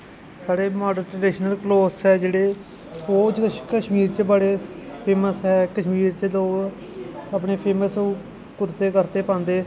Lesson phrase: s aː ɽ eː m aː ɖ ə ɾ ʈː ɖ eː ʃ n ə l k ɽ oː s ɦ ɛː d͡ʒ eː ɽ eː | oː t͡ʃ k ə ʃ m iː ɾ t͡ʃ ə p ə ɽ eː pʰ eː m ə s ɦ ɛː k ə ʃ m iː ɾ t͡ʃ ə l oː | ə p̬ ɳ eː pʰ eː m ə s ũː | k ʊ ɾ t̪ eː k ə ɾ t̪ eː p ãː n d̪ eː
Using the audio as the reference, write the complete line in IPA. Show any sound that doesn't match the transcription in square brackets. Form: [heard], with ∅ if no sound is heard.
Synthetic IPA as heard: s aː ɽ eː m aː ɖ ə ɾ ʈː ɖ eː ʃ n ə l k [l] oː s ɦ ɛː d͡ʒ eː ɽ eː | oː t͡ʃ k ə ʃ m iː ɾ t͡ʃ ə [b] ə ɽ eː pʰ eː m ə s ɦ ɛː k ə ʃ m iː ɾ t͡ʃ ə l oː | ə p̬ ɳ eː pʰ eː m ə s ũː | k ʊ ɾ t̪ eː k ə ɾ t̪ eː p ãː n d̪ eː

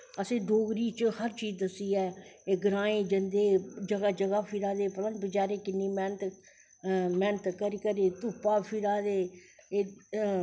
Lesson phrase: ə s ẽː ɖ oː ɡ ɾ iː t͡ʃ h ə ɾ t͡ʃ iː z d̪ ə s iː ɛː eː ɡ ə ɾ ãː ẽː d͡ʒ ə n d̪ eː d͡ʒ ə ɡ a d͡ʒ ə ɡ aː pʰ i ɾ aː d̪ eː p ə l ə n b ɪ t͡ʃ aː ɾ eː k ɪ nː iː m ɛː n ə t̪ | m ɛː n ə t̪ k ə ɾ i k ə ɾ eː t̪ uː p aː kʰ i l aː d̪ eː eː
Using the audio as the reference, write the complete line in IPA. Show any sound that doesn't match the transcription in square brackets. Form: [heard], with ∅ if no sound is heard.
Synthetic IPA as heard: ə s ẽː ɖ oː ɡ ɾ iː t͡ʃ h ə ɾ t͡ʃ iː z d̪ ə s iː ɛː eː ɡ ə ɾ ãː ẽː d͡ʒ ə n d̪ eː d͡ʒ ə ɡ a d͡ʒ ə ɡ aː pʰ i ɾ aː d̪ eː p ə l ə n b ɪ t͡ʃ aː ɾ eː k ɪ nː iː m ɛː n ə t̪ | m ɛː n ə t̪ k ə ɾ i k ə ɾ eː t̪ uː p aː [pʰ] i [ɾ] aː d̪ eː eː

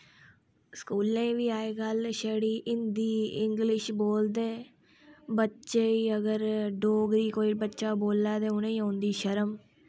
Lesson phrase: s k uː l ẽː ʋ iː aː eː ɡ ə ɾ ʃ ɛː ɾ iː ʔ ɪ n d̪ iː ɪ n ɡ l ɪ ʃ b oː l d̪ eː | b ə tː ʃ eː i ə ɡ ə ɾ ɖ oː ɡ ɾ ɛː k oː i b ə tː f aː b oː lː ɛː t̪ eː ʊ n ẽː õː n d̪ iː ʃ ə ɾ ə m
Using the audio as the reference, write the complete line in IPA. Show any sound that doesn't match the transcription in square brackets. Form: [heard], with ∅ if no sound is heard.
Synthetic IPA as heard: s k uː l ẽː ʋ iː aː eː ɡ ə [l] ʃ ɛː [ɽ] iː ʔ ɪ n d̪ iː ɪ [ŋ] ɡ l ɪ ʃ b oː l d̪ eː | b ə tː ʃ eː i ə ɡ ə ɾ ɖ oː ɡ ɾ [iː] k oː i b ə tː [ʃ] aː b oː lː [aː] t̪ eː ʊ n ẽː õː n d̪ iː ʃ ə ɾ ə m

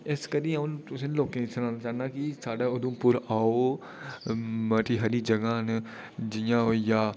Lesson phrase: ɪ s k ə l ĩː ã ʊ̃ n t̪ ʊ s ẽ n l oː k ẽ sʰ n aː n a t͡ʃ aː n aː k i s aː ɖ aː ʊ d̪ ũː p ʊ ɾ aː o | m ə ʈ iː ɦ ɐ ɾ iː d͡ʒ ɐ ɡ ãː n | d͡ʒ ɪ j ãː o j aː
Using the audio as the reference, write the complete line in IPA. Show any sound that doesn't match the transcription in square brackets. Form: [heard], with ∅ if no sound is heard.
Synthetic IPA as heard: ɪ s k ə [ɾ] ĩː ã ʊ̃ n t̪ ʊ s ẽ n l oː k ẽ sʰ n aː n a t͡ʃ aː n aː k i s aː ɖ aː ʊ d̪ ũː p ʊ ɾ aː o | m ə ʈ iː ɦ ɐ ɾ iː d͡ʒ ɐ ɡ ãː n | d͡ʒ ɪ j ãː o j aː

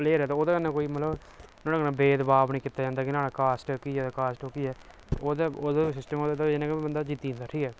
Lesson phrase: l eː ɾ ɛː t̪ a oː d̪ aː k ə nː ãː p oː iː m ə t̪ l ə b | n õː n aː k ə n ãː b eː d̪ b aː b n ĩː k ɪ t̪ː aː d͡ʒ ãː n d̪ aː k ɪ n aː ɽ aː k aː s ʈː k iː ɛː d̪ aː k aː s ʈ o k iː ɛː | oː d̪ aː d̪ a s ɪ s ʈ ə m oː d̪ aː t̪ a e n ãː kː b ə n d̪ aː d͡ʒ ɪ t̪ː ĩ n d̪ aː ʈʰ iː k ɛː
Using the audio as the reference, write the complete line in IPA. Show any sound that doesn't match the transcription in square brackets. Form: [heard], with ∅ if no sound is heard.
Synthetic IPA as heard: l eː ɾ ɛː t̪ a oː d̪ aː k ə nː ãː [k] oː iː m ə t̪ l ə b | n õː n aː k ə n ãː b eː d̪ b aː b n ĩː k ɪ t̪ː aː d͡ʒ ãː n d̪ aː k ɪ n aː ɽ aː k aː s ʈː k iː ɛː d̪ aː k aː s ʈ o k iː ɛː | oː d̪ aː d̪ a s ɪ s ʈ ə m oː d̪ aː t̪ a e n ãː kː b ə n d̪ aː d͡ʒ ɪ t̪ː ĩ n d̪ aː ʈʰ iː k ɛː

